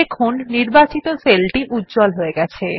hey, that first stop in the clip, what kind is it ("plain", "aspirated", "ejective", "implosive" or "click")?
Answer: aspirated